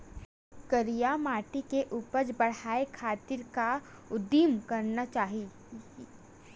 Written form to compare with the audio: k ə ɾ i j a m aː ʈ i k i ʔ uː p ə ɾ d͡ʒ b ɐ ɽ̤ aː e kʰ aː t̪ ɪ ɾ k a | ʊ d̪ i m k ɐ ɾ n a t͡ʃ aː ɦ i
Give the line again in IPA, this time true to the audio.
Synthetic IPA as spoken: k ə ɾ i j a m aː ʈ i k e ʔ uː p ə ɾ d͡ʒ b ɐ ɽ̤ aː e kʰ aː t̪ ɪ ɾ k a | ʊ d̪ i m k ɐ ɾ n a t͡ʃ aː ɦ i